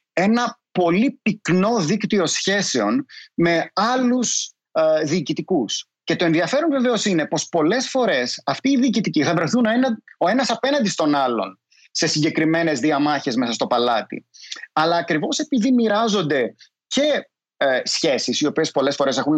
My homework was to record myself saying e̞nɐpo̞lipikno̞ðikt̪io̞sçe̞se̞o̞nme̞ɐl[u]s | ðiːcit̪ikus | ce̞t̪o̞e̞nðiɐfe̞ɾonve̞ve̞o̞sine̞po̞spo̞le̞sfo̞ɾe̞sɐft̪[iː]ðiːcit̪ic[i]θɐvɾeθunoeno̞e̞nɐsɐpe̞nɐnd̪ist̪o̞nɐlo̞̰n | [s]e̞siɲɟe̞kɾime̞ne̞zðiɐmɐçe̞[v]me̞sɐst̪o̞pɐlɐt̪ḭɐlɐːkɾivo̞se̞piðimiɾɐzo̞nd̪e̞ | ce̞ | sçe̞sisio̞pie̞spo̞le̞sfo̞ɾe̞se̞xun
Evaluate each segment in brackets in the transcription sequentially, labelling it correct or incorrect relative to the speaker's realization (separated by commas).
correct, correct, correct, correct, incorrect